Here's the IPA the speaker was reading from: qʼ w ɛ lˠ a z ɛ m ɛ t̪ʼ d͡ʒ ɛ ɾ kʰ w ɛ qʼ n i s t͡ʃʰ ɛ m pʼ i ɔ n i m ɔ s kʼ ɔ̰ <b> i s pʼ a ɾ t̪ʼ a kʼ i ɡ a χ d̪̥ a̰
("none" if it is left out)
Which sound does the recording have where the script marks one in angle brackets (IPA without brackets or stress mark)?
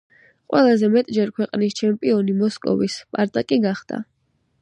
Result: v